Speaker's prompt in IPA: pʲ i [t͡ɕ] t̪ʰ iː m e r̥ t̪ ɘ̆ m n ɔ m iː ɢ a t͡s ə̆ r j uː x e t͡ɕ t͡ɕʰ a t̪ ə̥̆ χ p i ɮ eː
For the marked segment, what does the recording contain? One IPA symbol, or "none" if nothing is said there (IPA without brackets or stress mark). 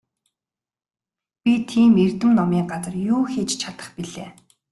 none